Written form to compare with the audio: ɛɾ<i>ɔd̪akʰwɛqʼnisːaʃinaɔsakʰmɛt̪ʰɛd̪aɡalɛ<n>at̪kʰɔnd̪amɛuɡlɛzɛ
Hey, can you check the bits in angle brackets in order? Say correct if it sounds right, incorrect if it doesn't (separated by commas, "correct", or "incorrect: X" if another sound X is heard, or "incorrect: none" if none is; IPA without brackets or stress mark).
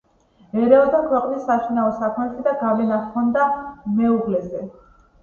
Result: incorrect: ɛ, correct